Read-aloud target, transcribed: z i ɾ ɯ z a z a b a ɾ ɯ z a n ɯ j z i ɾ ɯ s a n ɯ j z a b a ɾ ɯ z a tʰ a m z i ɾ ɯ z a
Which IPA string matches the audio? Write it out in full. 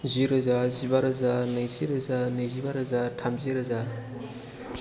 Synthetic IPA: z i ɾ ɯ z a z i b a ɾ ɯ z a n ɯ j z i ɾ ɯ z a n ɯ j z i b a ɾ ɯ z a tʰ a m z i ɾ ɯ z a